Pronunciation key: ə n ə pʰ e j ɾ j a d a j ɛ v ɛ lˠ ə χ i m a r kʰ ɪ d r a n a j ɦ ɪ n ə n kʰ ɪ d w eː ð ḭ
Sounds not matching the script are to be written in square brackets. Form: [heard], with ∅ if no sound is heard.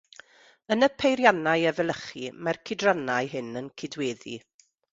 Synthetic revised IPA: ə n ə pʰ e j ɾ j a [n] a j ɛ v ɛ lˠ ə χ i m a r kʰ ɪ d r a n a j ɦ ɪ n ə n kʰ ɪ d w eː ð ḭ